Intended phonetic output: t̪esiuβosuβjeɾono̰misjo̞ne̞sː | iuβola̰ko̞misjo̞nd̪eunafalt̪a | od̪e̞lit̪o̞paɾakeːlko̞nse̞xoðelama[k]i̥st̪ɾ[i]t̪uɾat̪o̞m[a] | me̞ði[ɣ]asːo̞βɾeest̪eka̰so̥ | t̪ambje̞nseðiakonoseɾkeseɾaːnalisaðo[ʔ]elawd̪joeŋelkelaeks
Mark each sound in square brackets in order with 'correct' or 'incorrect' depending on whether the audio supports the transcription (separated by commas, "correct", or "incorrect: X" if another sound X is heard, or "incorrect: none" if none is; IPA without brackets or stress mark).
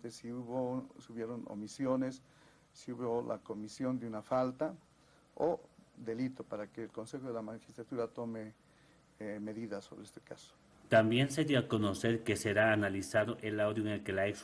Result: incorrect: x, incorrect: a, incorrect: e, incorrect: ð, correct